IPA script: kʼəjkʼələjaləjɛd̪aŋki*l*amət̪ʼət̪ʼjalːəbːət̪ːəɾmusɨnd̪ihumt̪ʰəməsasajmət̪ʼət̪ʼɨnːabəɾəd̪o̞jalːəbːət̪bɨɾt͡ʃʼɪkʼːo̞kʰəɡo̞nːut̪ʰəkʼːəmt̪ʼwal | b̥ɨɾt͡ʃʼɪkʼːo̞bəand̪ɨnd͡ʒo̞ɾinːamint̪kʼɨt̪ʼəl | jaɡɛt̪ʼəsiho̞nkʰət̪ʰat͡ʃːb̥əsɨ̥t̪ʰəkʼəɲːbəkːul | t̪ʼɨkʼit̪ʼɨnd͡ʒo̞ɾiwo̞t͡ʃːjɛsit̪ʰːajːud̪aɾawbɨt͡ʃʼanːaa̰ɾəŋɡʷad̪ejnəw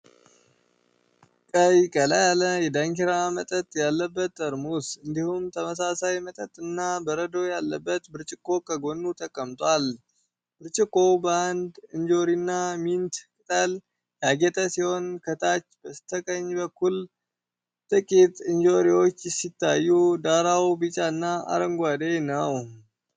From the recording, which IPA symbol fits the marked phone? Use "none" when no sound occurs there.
ɾ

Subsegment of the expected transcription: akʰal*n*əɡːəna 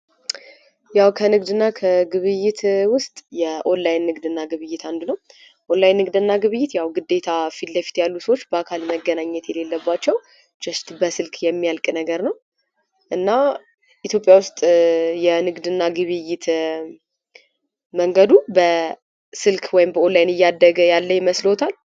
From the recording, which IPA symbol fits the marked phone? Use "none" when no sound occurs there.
m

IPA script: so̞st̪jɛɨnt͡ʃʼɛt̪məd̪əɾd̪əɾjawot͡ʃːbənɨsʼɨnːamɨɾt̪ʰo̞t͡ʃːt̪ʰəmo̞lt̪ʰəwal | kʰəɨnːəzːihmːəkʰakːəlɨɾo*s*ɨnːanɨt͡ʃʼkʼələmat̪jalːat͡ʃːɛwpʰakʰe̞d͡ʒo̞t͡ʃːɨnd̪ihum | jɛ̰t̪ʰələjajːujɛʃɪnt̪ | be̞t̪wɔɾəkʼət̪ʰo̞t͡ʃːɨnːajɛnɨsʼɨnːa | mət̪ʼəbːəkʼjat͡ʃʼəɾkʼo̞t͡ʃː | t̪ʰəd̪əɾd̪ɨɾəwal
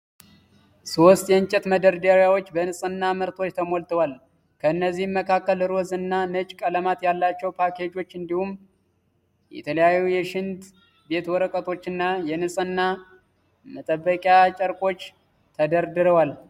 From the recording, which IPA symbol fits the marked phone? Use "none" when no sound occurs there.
z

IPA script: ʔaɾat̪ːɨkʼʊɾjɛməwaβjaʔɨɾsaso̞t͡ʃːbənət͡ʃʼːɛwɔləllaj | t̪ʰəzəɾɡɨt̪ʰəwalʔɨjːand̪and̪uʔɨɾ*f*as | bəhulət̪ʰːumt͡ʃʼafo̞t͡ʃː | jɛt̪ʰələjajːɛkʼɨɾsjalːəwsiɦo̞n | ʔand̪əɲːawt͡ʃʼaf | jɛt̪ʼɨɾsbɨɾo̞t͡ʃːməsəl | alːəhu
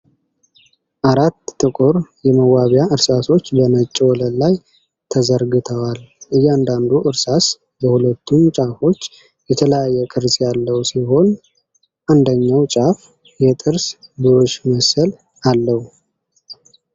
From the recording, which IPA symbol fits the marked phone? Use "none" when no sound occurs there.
s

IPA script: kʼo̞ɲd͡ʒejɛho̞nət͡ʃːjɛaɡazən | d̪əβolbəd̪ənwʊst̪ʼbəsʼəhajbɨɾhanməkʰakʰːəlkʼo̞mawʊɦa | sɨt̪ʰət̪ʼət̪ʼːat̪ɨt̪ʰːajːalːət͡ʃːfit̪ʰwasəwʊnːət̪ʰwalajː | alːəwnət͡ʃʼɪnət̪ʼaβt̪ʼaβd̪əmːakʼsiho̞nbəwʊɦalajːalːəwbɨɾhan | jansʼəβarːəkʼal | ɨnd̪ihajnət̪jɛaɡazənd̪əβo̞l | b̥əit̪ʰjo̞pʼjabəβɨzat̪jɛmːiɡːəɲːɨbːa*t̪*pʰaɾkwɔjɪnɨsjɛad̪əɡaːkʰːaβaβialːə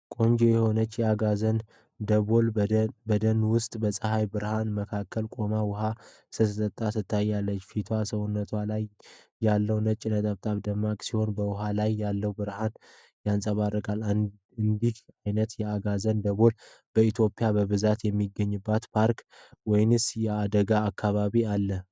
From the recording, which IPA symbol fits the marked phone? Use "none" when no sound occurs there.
t̪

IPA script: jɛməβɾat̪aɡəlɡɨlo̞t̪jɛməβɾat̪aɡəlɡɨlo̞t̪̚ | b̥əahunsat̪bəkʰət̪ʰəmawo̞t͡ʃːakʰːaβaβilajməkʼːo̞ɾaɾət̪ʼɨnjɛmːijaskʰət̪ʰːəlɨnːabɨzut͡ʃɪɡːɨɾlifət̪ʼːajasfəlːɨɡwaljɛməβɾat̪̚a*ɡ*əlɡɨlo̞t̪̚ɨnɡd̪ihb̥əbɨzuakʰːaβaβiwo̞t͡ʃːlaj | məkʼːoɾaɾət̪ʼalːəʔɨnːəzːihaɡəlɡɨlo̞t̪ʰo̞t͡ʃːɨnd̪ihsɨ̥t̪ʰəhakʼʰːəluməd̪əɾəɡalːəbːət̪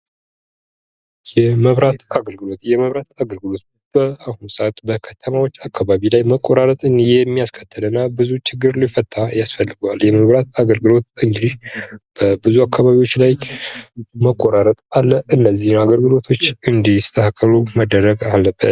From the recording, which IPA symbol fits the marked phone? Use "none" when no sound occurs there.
ɡ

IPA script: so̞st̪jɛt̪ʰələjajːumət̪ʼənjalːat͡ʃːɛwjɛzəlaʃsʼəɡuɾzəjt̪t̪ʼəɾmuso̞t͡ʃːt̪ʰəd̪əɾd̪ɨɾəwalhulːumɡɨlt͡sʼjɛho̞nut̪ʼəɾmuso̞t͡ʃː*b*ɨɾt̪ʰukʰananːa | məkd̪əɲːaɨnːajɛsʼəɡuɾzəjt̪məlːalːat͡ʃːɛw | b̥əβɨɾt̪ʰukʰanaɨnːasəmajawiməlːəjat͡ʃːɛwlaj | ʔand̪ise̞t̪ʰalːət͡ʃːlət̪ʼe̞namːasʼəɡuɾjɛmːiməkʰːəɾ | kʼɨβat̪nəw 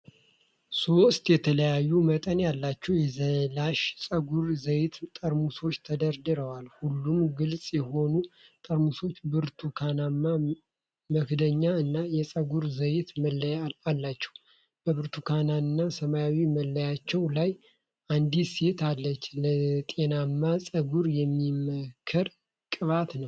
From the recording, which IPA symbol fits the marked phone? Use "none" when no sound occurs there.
b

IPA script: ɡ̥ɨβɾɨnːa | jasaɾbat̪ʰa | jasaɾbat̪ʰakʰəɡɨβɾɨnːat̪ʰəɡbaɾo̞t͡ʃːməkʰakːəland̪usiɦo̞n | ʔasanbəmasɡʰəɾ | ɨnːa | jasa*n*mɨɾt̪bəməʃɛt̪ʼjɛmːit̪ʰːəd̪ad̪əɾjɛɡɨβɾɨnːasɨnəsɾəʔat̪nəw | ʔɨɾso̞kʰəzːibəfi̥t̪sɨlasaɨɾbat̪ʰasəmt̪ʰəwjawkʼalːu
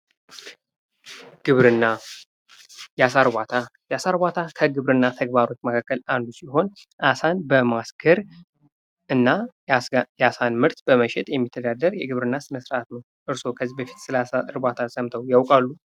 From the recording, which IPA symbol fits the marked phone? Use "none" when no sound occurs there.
n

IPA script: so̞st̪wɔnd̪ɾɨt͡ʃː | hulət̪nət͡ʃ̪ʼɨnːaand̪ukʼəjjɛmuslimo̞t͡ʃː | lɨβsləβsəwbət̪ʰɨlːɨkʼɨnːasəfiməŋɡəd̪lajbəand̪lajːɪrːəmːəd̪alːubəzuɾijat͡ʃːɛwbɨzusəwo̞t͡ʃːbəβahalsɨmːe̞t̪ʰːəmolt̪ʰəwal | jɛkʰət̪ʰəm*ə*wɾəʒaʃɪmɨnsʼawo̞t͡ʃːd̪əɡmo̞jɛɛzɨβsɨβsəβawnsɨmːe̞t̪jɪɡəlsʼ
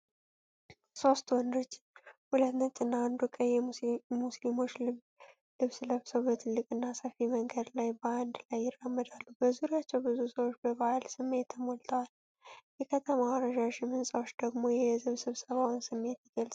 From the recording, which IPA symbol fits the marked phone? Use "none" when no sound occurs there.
a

